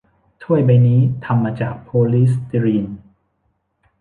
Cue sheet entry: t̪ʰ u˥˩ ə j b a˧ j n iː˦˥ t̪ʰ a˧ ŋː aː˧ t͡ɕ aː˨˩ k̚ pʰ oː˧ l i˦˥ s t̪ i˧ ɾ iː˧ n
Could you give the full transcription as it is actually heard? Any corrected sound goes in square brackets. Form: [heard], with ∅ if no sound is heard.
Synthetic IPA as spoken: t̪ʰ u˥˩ ə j b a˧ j n iː˦˥ t̪ʰ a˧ [mː] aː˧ t͡ɕ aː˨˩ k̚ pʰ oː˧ l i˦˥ s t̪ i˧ ɾ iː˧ n